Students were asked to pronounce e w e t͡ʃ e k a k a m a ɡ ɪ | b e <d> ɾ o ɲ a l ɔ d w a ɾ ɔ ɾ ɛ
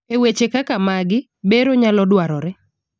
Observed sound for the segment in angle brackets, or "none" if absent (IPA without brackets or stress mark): none